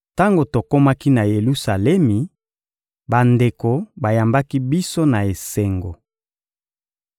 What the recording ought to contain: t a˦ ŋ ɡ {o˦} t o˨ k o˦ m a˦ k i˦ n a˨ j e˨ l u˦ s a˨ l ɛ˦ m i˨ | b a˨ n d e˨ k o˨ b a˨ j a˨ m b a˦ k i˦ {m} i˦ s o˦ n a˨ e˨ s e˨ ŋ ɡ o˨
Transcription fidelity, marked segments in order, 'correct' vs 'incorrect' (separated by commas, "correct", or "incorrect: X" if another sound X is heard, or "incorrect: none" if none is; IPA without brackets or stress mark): incorrect: o˨, incorrect: b